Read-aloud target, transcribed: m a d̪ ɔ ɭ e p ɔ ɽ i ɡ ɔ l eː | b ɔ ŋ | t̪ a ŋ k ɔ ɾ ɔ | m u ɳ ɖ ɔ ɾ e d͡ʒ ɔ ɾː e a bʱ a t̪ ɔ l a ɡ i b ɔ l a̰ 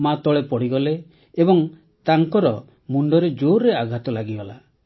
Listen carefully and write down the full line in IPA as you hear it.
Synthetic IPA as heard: m a t̪ ɔ ɭ e p ɔ ɽ i ɡ ɔ l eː | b ɔ ŋ | t̪ a ŋ k ɔ ɾ ɔ | m u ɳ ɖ ɔ ɾ e d͡ʒ o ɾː e a ɡʱ a t̪ ɔ l a ɡ i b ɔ l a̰